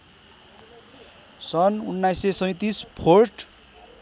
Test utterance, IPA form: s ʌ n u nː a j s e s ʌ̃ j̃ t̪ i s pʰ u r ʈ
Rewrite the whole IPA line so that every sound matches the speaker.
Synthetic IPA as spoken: s ʌ n u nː a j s e s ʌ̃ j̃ t̪ i s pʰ o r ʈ